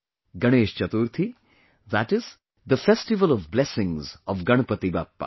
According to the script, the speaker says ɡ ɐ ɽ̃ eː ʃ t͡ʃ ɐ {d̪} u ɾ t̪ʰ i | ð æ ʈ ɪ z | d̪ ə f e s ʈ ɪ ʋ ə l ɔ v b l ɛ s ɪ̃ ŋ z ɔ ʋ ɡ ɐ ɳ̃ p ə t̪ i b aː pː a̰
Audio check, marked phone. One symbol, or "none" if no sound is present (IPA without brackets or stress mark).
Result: t̪